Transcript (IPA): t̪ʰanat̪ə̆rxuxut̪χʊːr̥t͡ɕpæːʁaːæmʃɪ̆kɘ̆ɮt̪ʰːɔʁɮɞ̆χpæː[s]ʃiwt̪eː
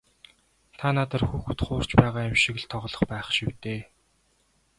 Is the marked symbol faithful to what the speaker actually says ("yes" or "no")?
no